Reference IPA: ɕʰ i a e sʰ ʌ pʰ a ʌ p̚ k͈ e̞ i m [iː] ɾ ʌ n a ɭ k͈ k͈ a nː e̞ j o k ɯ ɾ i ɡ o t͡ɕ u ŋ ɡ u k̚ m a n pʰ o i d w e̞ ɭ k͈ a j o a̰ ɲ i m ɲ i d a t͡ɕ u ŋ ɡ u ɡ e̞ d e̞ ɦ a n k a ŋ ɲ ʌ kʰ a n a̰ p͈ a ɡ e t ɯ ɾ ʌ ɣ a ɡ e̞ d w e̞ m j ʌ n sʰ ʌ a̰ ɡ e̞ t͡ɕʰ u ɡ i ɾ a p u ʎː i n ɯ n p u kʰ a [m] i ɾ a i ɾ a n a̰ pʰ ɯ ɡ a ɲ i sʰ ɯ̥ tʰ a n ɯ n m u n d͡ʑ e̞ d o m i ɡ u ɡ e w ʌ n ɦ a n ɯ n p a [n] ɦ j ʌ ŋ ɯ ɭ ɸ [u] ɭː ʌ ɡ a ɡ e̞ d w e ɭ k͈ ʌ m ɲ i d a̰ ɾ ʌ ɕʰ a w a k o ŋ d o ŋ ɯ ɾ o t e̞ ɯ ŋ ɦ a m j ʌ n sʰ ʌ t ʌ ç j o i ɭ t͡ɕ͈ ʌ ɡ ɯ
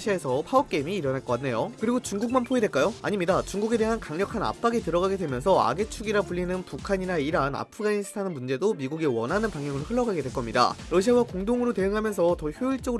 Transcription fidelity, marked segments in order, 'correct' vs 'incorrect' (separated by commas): correct, incorrect, incorrect, incorrect